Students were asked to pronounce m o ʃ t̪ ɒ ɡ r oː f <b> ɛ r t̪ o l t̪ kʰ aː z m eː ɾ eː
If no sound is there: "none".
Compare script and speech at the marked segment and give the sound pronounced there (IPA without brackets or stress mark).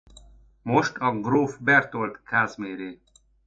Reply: b